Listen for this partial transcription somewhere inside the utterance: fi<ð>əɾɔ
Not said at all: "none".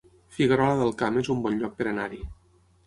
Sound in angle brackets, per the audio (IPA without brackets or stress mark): ɣ